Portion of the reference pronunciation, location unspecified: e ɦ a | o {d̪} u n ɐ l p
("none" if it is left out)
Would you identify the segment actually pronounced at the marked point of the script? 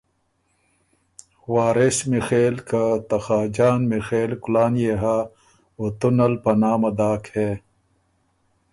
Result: t̪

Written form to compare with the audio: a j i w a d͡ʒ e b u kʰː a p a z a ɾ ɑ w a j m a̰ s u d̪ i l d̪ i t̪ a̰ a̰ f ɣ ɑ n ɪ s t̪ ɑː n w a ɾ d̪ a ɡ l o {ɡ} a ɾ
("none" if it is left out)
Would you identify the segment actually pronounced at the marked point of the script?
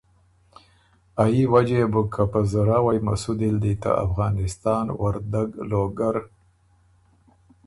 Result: ɡ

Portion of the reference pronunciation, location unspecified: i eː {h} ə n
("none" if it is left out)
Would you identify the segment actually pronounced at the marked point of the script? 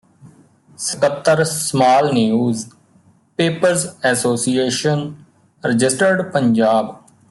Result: ʃ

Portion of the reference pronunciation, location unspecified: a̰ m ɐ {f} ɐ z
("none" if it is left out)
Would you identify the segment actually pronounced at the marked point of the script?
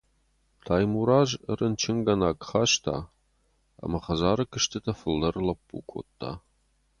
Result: χ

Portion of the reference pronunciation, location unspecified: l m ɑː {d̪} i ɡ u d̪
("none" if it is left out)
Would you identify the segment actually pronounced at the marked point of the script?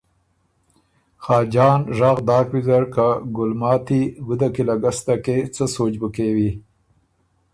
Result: t̪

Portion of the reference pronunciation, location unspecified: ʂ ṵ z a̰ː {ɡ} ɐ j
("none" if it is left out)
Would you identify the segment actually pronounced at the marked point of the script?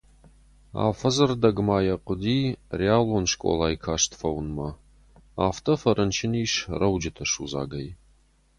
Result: ɡ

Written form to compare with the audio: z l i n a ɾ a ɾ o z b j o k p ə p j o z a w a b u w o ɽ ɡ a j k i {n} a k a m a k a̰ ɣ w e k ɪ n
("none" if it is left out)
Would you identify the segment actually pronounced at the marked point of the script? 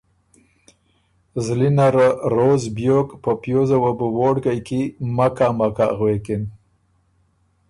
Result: m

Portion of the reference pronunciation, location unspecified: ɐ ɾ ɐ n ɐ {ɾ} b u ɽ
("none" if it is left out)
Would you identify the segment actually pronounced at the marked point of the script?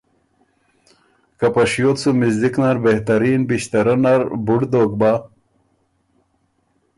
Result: ɾ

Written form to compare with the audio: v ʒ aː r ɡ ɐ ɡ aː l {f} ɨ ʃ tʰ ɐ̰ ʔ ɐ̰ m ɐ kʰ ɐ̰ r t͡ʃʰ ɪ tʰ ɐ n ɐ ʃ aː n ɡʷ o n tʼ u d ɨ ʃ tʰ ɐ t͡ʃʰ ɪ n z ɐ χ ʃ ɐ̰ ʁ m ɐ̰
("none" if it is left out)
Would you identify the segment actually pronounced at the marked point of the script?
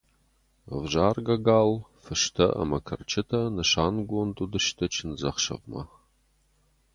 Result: f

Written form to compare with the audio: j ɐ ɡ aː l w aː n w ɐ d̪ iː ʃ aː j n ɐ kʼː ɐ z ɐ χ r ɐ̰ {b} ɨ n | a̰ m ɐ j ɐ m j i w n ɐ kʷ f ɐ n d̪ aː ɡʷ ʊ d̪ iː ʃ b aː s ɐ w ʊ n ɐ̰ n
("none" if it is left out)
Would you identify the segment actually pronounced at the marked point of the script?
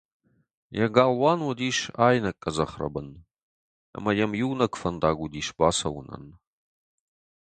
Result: b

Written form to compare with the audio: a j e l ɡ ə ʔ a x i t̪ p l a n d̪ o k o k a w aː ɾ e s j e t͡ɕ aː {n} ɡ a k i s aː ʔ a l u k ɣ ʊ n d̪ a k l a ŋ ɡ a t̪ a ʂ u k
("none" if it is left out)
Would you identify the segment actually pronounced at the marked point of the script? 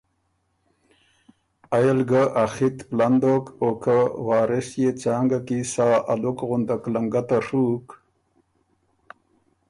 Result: ŋ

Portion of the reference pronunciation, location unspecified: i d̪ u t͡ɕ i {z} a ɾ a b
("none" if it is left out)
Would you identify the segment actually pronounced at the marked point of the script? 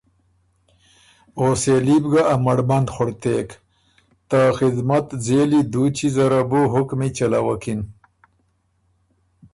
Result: z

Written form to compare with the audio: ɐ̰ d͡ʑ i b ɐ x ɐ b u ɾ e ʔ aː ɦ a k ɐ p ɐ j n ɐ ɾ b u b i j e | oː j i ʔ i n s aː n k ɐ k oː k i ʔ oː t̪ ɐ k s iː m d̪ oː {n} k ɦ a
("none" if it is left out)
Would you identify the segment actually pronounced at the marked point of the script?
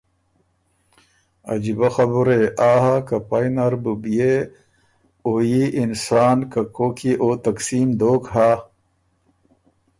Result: none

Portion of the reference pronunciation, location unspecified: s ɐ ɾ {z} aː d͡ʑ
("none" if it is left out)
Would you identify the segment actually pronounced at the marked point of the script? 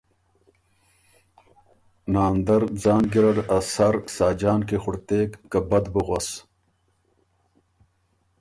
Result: s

